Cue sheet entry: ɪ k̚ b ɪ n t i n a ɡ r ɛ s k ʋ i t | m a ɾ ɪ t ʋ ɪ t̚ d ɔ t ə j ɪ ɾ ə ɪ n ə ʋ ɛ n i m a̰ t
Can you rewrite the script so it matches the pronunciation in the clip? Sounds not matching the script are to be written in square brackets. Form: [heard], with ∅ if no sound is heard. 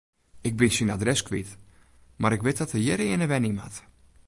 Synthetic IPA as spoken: ɪ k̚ b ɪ n [s] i n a [d] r ɛ s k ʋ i t | m a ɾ ɪ [k] ʋ ɪ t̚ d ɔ t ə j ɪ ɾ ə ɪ n ə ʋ ɛ n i m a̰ t